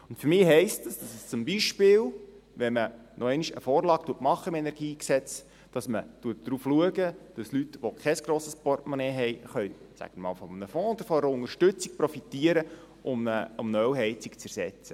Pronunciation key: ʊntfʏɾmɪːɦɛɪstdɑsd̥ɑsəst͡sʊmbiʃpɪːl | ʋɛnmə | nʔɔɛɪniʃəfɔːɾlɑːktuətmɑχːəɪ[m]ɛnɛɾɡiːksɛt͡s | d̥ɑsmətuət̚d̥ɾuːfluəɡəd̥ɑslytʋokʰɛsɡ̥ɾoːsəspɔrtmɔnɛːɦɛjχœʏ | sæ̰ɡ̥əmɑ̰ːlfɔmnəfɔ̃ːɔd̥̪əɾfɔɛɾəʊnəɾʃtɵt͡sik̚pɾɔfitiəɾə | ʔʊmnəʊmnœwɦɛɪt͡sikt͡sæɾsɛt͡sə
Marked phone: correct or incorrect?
correct